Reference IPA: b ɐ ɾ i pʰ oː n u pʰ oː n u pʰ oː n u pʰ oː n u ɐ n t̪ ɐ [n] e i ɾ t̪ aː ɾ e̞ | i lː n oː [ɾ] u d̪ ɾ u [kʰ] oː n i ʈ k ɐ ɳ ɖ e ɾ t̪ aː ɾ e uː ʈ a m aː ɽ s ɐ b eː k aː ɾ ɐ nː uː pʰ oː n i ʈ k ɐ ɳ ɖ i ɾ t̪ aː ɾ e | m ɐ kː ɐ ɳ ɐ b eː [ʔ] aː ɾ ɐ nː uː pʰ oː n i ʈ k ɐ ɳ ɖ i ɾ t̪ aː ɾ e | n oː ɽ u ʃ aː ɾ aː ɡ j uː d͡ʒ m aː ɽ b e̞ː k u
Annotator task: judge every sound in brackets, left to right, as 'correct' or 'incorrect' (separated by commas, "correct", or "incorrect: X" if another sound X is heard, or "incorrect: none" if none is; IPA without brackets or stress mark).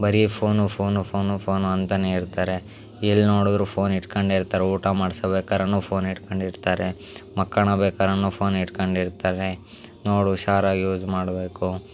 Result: correct, incorrect: ɽ, incorrect: pʰ, incorrect: k